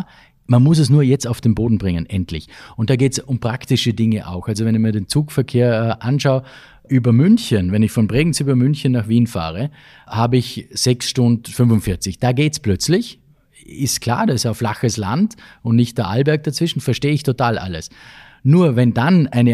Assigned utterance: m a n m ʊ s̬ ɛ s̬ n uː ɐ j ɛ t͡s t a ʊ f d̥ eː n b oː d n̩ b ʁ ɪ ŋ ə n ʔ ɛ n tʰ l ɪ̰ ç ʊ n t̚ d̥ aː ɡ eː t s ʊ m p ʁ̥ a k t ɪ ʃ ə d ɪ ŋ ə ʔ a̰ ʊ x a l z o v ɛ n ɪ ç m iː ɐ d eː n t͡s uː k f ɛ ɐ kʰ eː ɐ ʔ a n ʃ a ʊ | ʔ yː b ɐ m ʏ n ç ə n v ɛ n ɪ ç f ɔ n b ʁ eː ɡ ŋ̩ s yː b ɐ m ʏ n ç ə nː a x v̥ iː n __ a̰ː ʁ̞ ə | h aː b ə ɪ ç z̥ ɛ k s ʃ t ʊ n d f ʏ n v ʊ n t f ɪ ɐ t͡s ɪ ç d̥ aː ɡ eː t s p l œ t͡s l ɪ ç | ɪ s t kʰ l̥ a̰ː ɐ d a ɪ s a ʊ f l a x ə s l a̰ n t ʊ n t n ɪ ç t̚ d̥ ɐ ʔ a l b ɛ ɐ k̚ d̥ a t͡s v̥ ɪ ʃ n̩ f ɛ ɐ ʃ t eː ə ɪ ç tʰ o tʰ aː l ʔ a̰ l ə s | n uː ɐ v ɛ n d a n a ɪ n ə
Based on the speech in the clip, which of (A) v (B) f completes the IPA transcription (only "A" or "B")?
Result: B